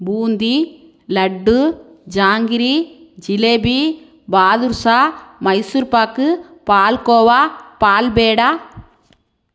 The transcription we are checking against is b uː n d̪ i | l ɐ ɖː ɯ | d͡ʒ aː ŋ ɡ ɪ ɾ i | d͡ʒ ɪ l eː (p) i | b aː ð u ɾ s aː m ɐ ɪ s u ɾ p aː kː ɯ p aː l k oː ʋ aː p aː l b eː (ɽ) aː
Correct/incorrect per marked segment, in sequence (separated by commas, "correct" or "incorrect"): incorrect, correct